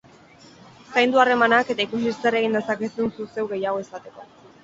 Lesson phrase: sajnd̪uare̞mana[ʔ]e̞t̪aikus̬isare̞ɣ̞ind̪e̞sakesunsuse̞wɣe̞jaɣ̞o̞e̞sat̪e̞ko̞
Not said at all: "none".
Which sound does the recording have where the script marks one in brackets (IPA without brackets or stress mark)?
k